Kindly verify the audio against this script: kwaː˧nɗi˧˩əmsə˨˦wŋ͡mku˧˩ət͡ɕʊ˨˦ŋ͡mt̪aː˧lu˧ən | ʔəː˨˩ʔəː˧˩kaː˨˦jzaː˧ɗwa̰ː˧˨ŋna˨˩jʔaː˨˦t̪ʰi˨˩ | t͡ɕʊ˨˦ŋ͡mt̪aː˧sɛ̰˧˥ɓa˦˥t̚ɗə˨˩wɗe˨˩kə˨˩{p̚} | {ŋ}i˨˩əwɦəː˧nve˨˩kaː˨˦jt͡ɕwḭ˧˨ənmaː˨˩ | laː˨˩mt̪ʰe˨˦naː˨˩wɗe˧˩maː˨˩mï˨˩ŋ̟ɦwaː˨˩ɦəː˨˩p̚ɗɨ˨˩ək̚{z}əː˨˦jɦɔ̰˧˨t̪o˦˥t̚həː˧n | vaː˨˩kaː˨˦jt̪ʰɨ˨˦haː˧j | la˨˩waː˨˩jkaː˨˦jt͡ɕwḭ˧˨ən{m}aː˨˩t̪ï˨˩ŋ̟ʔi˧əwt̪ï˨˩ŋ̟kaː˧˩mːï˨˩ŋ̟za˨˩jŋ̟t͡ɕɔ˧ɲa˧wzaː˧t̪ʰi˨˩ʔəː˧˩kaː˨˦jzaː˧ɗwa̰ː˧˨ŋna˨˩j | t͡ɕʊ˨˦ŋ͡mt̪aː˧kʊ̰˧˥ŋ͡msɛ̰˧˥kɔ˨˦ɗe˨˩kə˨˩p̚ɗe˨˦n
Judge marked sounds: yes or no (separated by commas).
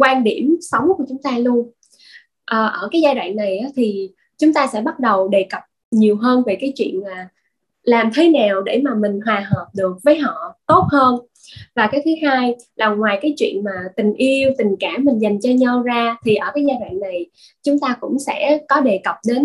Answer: yes, no, no, yes